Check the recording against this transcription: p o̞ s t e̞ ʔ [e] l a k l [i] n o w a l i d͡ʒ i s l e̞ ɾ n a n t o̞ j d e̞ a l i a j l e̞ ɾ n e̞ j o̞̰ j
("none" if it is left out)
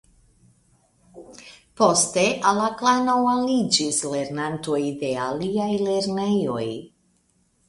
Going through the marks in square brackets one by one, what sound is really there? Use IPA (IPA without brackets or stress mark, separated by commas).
a, a